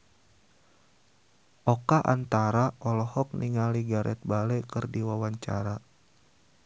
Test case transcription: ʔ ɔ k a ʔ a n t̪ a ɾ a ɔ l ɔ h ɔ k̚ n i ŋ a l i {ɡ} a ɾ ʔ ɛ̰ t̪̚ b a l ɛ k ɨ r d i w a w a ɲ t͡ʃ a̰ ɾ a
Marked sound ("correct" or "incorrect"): correct